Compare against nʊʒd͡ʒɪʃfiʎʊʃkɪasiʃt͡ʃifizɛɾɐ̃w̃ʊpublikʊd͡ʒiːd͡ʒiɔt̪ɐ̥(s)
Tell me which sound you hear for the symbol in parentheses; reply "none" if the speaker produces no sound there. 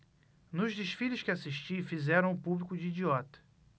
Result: none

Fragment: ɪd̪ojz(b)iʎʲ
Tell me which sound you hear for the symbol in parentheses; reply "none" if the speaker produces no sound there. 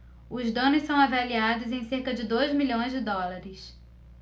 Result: m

